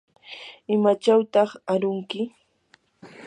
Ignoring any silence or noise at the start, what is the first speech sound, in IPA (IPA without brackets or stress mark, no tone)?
ɪ